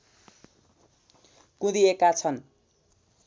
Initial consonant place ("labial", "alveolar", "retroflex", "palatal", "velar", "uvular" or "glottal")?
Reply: velar